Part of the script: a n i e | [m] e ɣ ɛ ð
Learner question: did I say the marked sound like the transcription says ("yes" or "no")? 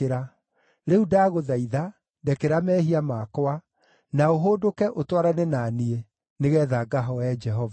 no